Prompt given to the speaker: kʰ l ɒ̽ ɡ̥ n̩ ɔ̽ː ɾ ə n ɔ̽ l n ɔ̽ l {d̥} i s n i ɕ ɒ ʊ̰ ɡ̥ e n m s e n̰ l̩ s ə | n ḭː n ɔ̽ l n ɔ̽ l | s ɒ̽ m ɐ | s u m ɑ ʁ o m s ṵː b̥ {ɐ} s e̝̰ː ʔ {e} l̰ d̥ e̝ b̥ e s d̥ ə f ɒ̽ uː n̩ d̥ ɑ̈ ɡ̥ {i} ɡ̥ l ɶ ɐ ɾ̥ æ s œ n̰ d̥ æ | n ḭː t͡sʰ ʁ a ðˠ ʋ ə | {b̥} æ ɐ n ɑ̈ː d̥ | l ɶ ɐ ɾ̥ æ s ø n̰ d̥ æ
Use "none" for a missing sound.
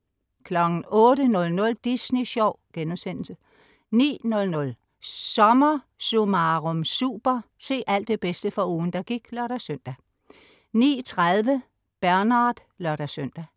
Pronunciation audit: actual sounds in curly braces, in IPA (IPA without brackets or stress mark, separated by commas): d̥, ɐ, æ, i, b̥